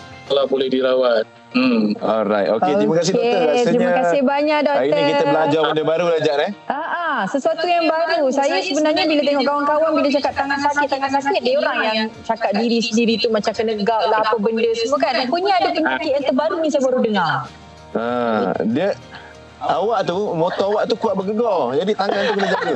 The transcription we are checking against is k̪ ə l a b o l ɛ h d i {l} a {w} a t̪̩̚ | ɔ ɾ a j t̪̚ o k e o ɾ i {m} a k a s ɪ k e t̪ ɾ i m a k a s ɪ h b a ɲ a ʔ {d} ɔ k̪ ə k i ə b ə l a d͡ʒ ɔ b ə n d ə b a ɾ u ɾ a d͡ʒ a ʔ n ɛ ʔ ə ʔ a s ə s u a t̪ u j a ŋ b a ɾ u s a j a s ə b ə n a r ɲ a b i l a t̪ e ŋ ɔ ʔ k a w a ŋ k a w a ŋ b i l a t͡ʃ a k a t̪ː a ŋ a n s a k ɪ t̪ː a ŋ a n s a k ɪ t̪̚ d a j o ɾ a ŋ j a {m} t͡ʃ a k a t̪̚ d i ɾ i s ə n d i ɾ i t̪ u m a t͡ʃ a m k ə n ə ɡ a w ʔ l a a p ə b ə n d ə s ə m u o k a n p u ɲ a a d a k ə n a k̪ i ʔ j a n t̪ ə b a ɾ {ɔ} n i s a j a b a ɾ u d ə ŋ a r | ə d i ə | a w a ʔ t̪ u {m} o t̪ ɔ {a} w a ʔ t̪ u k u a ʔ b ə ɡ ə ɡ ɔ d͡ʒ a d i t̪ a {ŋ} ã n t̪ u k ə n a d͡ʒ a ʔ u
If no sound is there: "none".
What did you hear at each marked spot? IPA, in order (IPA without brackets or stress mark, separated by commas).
ɾ, w, m, d, ŋ, u, m, a, ŋ